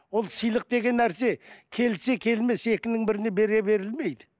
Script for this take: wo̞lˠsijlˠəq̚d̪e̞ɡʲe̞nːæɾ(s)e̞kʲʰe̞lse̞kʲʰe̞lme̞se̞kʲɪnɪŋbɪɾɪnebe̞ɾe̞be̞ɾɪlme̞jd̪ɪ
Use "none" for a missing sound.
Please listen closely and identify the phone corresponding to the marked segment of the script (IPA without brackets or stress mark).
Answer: s